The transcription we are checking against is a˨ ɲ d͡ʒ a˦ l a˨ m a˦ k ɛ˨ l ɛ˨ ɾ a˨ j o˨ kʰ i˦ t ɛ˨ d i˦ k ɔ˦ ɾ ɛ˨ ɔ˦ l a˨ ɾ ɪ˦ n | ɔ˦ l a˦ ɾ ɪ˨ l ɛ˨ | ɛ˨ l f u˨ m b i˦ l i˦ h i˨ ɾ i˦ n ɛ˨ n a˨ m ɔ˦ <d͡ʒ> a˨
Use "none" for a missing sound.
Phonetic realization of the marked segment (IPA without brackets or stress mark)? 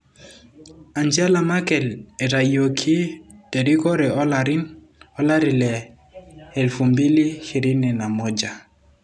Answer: d͡ʒ